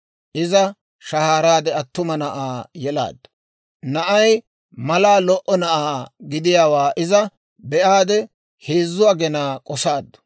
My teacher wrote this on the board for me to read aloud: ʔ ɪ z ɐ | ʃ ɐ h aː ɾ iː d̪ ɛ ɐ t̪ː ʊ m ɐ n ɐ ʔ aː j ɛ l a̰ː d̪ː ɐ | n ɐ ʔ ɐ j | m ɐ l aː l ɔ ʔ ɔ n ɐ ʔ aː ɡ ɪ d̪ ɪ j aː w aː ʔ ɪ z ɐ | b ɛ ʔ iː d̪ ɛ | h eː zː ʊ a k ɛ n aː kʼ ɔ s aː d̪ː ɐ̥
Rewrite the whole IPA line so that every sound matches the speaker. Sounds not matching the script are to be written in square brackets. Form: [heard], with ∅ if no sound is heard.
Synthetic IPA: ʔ ɪ z ɐ | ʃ ɐ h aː ɾ [aː] d̪ ɛ ɐ t̪ː ʊ m ɐ n ɐ ʔ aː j ɛ l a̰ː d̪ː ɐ | n ɐ ʔ ɐ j | m ɐ l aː l ɔ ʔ ɔ n ɐ ʔ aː ɡ ɪ d̪ ɪ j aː w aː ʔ ɪ z ɐ | b ɛ ʔ [aː] d̪ ɛ | h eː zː ʊ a [ɡ] ɛ n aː kʼ ɔ s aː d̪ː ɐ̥